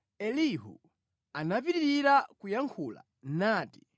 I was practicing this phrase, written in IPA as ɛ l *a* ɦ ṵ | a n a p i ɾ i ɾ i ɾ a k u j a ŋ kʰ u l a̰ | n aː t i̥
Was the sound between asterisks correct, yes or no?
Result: no